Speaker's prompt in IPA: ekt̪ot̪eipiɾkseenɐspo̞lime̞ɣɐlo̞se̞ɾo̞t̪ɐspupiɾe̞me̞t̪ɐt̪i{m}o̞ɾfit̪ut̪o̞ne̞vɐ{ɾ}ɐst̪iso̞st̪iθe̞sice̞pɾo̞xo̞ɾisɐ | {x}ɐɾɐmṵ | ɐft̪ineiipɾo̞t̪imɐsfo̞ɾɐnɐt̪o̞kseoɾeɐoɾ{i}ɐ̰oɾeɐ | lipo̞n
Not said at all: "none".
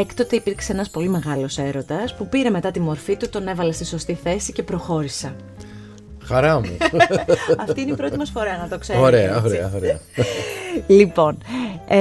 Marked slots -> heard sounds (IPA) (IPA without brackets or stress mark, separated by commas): m, l, x, e